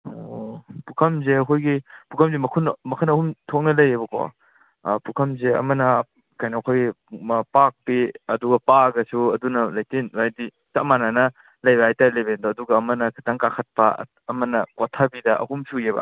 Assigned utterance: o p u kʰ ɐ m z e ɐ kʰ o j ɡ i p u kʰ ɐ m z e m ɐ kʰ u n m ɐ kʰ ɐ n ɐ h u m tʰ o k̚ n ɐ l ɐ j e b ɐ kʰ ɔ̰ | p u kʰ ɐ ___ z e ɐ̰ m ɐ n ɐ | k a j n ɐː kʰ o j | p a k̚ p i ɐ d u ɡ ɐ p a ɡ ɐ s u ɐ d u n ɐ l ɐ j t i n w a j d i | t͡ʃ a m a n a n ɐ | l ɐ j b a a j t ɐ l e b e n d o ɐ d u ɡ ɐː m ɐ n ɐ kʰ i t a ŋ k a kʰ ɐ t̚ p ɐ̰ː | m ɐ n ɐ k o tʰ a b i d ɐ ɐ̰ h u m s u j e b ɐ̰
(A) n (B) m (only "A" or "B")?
B